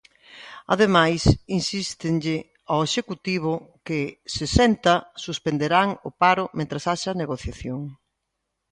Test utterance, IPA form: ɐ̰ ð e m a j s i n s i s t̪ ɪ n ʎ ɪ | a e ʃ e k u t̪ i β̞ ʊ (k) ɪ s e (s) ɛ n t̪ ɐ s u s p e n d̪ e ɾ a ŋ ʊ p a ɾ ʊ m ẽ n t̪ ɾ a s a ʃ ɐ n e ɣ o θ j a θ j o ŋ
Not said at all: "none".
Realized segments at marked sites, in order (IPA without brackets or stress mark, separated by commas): k, s